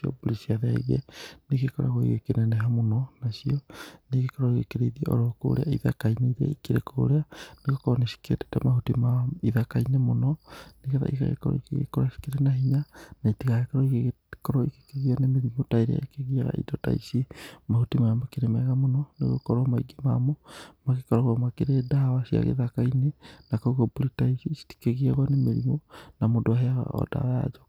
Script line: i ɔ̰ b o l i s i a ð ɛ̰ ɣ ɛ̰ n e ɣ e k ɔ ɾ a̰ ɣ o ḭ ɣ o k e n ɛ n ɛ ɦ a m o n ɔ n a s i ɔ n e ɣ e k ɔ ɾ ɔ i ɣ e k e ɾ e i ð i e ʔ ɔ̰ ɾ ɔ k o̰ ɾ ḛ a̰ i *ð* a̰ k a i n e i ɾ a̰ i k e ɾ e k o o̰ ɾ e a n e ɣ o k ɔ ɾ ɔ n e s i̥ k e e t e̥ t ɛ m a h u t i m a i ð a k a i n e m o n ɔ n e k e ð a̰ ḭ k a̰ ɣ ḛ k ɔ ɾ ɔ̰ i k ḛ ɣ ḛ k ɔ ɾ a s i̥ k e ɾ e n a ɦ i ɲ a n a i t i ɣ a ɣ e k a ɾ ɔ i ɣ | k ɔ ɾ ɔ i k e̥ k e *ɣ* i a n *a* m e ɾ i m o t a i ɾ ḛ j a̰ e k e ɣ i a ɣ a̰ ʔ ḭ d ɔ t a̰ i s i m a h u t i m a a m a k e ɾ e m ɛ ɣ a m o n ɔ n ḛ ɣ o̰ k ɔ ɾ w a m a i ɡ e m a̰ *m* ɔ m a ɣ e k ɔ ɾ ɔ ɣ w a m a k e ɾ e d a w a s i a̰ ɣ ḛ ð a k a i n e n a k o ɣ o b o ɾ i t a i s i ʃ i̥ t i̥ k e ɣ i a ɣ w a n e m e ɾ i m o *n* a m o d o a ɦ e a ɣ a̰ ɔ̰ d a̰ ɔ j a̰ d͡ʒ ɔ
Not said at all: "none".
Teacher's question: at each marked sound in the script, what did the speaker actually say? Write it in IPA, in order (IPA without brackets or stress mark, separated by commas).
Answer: ð, ɣ, e, m, n